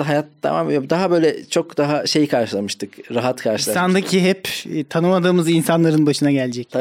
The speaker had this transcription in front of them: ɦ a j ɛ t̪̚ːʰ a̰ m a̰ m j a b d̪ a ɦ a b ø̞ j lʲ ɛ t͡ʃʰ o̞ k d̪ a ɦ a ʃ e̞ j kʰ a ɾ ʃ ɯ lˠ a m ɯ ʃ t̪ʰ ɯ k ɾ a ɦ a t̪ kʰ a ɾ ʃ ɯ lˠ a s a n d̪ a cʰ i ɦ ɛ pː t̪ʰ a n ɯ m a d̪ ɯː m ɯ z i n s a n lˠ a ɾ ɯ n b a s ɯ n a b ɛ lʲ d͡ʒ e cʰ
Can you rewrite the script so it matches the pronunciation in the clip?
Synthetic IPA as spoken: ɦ a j a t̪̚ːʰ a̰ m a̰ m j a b d̪ a ɦ a b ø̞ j lʲ ɛ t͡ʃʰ o̞ k d̪ a ɦ a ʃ e̞ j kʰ a ɾ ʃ ɯ lˠ a m ɯ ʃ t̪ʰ ɯ k ɾ a ɦ a t̪ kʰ a ɾ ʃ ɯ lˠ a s a n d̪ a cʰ i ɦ ɛ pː t̪ʰ a n ɯ m a d̪ ɯː m ɯ z i n s a n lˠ a ɾ ɯ n b a ʃ ɯ n a ɟ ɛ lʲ d͡ʒ ɛ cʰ